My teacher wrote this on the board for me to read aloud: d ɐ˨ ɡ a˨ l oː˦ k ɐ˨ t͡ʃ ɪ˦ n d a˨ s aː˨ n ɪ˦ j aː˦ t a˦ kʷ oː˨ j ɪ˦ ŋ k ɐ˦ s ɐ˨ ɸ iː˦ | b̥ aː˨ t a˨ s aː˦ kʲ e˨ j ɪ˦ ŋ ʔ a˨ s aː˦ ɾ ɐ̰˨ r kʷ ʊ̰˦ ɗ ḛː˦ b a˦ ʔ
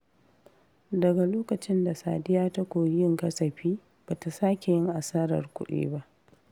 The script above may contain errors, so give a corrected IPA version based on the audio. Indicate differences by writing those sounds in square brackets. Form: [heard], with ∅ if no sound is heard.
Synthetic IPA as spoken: d ɐ˨ ɡ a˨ l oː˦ k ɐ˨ t͡ʃ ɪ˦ n d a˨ s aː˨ [d] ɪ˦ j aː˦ t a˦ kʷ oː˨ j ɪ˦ ŋ k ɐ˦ s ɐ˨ ɸ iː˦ | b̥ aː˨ t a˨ s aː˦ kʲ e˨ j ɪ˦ ŋ ʔ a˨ s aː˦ ɾ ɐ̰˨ r kʷ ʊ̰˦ ɗ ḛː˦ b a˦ ʔ